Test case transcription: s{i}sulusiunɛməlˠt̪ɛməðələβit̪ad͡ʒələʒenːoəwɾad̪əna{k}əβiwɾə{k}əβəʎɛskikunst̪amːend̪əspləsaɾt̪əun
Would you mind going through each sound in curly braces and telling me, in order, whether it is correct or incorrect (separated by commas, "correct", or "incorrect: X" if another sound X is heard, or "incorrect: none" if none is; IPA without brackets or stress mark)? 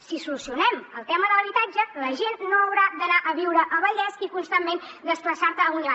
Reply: correct, incorrect: ʔ, incorrect: ʔ